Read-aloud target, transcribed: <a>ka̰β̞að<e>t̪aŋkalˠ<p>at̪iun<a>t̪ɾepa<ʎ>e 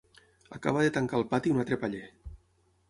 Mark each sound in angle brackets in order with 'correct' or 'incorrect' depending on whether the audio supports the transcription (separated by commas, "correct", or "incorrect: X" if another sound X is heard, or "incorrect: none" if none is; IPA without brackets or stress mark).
correct, correct, correct, correct, correct